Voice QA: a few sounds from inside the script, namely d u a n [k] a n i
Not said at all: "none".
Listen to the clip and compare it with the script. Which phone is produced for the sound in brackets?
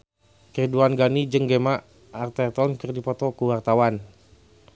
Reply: ɡ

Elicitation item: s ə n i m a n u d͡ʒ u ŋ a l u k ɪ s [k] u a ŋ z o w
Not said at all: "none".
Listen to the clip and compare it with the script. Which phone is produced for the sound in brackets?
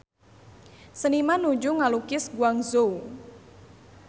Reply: ɡ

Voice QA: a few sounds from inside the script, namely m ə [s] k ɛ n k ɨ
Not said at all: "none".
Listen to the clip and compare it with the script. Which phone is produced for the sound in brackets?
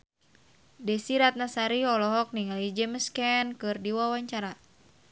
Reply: s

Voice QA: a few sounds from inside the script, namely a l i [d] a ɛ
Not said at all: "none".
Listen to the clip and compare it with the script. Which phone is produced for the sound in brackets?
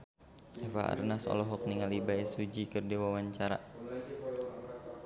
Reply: b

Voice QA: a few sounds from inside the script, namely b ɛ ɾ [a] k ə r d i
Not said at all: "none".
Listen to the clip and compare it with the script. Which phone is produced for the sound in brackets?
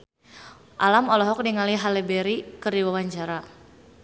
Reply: i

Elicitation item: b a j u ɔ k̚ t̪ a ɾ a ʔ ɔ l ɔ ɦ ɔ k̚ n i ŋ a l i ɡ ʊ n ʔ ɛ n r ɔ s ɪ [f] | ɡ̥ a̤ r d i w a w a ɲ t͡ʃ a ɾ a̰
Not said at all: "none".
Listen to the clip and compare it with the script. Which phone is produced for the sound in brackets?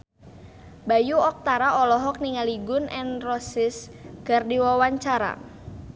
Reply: s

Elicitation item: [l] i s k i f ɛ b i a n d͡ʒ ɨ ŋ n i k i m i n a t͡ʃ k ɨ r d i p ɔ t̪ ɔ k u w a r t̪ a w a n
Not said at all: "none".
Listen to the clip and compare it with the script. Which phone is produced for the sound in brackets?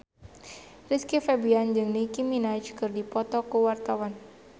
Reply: r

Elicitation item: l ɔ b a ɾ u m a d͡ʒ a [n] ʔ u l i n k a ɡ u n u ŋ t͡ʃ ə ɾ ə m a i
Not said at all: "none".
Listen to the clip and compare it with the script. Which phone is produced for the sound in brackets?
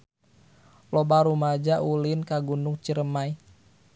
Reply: none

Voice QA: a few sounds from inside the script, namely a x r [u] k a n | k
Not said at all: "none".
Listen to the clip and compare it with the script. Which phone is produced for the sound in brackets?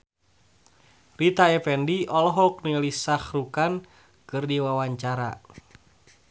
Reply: u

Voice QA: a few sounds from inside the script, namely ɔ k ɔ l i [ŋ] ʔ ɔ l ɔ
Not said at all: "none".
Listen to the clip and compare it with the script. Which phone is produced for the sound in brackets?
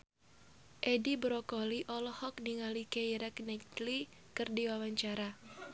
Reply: none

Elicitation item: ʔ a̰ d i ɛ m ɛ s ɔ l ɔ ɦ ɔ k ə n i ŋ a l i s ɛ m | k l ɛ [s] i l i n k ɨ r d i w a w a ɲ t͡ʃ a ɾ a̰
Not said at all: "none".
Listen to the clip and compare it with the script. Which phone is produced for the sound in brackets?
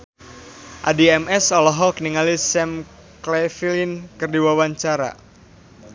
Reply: f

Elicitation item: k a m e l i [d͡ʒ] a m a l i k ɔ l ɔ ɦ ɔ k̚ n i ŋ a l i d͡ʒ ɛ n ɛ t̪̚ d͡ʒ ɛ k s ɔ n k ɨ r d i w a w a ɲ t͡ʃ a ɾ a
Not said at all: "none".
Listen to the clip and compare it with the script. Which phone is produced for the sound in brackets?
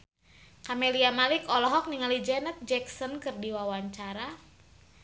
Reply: none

